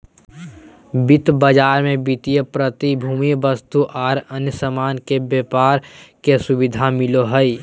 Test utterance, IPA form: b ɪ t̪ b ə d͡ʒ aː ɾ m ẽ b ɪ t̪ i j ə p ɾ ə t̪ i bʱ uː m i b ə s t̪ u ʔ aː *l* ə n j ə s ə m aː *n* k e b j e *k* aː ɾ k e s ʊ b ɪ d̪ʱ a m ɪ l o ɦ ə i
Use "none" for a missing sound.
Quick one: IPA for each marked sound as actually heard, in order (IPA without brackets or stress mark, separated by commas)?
ɾ, n, p